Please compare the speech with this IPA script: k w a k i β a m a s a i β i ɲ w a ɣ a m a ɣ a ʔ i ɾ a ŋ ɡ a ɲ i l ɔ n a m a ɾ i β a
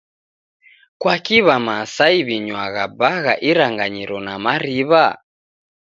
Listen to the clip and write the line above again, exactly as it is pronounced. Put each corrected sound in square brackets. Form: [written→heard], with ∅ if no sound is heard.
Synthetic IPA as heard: k w a k i β a m a s a i β i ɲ w a ɣ a [m→b] a ɣ a ʔ i ɾ a ŋ ɡ a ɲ i [l→ɾ] ɔ n a m a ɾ i β a